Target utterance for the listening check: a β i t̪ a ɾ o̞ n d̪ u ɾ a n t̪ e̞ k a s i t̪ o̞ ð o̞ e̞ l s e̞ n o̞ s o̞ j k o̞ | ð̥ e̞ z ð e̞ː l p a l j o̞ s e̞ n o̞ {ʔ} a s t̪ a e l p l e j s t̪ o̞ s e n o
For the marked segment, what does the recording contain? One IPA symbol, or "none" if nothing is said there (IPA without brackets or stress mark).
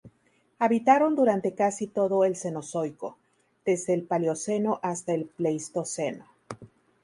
ʔ